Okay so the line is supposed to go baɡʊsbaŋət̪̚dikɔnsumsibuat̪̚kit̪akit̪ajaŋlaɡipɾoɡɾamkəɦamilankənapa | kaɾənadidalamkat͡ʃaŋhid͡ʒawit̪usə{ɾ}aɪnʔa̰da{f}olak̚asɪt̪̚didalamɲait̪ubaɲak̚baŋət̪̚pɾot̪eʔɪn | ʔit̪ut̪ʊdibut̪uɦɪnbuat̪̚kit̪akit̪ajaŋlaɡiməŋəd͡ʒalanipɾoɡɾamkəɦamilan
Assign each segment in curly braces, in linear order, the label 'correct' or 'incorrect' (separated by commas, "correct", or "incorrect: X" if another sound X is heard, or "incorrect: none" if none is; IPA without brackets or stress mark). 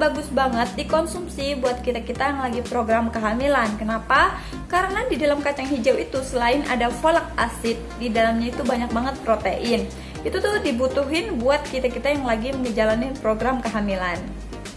incorrect: l, correct